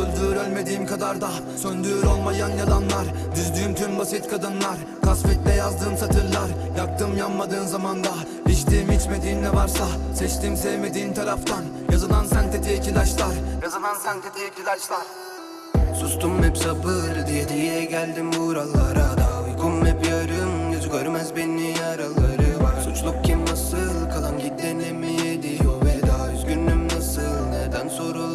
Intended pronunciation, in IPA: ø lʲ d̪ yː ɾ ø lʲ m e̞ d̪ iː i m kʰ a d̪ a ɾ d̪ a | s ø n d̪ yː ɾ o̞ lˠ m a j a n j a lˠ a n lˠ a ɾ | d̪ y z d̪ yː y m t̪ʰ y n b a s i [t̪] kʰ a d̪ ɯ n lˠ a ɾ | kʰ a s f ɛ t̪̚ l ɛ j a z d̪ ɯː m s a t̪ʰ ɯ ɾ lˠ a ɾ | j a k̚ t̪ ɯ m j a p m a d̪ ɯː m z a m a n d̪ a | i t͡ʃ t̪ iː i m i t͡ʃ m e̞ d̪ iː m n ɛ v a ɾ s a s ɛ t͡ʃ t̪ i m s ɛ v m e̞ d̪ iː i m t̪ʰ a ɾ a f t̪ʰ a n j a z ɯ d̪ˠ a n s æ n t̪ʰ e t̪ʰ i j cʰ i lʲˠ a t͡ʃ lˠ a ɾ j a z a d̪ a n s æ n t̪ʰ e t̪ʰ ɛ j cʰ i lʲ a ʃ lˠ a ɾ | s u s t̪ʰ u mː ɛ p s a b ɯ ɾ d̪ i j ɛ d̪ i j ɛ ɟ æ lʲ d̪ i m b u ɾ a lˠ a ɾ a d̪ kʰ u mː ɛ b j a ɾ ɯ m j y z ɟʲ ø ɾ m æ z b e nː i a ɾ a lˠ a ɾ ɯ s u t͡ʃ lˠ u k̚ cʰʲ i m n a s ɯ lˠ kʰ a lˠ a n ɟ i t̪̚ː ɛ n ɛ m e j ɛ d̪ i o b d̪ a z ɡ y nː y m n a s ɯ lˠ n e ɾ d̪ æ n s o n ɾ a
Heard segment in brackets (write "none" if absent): t̪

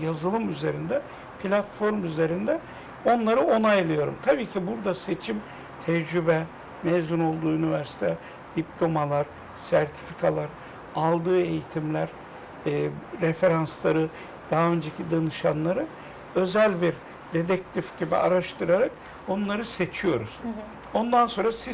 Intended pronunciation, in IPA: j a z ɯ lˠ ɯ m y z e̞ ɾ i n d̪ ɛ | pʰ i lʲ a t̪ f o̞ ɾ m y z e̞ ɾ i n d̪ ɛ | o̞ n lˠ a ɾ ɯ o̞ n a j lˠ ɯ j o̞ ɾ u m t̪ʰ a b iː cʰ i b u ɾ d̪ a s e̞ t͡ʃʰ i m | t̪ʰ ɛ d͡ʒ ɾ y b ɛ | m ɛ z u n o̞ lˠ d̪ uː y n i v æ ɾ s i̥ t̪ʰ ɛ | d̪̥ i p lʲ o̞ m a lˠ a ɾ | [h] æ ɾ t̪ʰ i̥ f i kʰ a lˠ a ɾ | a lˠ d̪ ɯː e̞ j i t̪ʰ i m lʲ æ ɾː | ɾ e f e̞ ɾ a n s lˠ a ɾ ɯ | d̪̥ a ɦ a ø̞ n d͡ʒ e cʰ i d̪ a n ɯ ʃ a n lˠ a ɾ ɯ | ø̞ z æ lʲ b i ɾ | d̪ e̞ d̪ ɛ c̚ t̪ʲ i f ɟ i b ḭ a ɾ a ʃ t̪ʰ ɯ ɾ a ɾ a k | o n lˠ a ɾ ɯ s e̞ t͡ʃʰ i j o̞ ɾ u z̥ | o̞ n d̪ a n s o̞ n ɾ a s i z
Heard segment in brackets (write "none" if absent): s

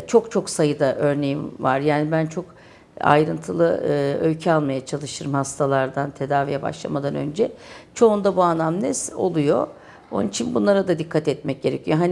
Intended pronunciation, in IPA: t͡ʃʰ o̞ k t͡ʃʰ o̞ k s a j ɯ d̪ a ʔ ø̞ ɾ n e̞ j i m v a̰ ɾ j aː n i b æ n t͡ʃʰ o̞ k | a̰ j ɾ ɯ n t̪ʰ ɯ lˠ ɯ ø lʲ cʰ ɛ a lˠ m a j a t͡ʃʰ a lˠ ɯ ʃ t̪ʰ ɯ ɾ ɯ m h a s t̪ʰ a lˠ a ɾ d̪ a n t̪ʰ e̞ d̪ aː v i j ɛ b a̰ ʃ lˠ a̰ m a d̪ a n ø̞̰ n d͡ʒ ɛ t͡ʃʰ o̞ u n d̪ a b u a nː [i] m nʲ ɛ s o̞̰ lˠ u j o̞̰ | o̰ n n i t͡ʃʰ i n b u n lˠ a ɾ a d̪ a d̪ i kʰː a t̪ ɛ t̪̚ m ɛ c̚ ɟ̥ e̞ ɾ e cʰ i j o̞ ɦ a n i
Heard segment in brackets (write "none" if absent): a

